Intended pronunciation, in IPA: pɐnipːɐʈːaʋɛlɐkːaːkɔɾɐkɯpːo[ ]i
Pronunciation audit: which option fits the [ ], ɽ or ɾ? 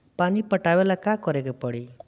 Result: ɽ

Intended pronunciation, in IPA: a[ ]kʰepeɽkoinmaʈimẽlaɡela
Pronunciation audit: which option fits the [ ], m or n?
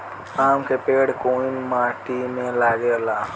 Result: m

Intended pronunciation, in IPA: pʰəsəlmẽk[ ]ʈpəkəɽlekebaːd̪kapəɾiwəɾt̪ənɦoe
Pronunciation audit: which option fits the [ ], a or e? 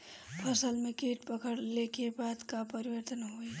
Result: e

